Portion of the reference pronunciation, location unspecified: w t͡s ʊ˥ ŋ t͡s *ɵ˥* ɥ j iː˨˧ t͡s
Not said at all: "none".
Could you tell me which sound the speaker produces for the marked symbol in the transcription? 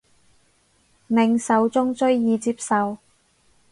ɵ˥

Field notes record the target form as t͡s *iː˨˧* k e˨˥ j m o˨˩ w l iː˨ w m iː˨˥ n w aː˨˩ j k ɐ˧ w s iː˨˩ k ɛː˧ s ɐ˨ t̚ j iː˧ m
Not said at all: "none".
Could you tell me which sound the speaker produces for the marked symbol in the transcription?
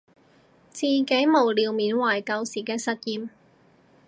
iː˨˧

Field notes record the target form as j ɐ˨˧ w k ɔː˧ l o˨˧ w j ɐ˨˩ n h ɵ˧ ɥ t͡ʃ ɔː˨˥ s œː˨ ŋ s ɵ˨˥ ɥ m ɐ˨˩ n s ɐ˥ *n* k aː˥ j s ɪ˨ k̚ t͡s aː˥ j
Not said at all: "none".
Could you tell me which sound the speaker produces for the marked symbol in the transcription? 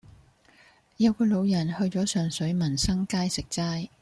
ŋ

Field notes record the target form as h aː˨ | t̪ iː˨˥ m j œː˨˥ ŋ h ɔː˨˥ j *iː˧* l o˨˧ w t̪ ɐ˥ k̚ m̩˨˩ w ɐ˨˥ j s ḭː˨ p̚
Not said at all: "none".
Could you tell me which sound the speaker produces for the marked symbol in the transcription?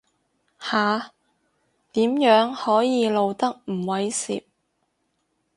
iː˧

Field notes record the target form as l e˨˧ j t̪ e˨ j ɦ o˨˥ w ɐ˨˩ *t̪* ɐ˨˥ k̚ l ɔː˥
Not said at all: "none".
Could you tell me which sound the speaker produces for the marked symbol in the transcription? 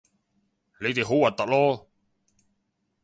t̪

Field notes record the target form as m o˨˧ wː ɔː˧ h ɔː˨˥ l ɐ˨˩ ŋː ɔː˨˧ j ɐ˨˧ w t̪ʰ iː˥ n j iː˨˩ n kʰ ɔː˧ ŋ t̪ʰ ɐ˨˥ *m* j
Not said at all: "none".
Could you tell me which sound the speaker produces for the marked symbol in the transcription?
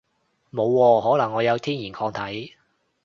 none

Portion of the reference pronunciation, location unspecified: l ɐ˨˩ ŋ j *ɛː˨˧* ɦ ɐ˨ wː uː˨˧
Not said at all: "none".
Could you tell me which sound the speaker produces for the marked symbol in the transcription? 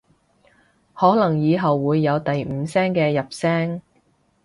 iː˨˧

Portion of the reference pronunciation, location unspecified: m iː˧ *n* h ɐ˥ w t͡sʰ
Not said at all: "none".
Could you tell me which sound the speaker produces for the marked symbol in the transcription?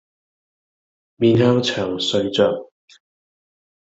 n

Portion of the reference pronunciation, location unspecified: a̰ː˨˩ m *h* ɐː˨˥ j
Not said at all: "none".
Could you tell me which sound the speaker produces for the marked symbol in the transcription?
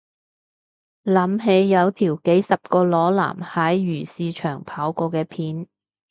h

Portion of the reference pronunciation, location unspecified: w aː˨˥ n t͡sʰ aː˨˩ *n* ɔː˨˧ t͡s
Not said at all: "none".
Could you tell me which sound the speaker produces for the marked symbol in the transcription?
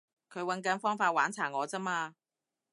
ŋ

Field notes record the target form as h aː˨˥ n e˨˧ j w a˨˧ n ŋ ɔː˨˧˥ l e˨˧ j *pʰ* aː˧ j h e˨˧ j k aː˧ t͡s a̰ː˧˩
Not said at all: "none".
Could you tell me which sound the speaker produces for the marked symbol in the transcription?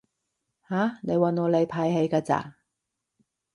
pʰ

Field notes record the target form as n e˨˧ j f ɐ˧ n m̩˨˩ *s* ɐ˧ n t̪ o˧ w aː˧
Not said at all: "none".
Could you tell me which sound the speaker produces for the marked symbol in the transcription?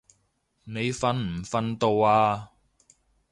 f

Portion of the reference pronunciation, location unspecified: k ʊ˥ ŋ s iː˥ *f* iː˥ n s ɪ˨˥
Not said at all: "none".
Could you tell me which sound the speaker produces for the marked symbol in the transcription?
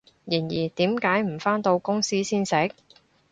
s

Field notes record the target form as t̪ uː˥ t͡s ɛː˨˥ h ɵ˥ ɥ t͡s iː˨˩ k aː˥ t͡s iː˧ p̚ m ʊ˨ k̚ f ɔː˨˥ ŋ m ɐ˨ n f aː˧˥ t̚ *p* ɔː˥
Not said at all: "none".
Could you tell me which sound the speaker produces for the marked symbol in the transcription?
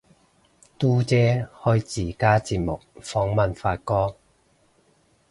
k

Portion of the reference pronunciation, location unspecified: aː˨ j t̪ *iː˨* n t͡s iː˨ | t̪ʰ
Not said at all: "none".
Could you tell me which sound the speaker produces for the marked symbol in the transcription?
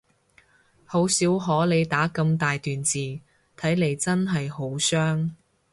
yː˨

